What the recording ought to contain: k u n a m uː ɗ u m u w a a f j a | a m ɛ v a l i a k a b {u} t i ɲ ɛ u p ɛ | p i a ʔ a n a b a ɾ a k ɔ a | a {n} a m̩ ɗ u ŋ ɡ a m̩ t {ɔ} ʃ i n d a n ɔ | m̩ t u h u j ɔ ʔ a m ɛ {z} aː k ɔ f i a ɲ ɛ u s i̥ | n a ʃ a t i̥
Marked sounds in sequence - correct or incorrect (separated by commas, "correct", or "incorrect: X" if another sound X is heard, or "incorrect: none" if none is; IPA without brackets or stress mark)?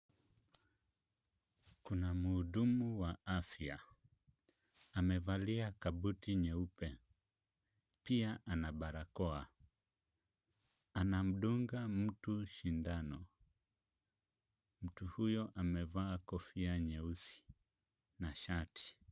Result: correct, correct, incorrect: u, incorrect: v